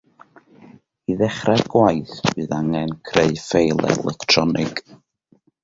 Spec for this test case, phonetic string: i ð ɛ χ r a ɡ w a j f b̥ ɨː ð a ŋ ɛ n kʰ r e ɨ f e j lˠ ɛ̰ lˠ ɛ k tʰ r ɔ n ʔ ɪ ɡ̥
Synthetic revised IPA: i ð ɛ χ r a ɡ w a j θ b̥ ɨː ð a ŋ ɛ n kʰ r e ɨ f e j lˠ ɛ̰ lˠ ɛ k tʰ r ɔ n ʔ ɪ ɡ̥